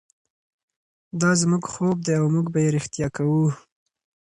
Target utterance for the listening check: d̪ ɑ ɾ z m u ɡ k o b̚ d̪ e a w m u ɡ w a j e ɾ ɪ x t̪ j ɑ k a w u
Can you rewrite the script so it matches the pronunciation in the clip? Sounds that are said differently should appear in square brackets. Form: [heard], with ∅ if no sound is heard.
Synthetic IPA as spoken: d̪ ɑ [∅] z m u ɡ [x] o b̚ d̪ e a w m u ɡ [b] a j e ɾ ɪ x t̪ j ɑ k a w u